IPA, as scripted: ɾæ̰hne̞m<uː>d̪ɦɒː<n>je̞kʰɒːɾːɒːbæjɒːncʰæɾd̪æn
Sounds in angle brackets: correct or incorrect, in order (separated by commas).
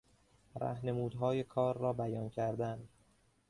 correct, incorrect